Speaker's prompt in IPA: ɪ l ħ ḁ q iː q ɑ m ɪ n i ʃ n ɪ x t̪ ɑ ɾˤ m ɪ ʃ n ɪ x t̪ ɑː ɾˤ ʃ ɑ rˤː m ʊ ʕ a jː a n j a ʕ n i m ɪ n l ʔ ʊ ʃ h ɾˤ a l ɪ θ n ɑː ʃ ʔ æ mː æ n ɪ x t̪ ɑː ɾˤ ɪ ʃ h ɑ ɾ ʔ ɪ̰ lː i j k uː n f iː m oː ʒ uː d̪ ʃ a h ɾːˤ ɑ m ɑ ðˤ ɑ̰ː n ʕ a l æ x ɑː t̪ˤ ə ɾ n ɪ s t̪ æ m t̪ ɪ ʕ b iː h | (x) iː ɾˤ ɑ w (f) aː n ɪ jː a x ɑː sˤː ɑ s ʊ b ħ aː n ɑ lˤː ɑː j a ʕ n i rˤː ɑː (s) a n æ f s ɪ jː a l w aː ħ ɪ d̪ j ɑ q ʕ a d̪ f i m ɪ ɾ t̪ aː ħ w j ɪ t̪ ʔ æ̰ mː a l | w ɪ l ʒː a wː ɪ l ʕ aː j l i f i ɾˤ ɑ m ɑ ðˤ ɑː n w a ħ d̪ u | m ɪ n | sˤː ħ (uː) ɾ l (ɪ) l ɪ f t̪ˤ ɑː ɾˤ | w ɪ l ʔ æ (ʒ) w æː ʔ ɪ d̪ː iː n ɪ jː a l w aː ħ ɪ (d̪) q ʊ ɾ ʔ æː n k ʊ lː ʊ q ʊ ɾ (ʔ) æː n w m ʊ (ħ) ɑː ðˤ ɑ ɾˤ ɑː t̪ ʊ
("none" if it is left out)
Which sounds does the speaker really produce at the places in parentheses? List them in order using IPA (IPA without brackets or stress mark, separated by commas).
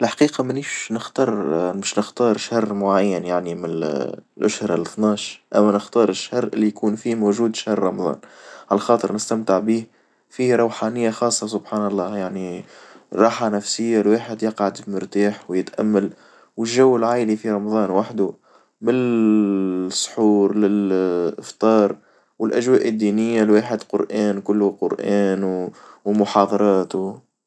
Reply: f, ħ, ħ, uː, ɪ, ʒ, d̪, ʔ, ħ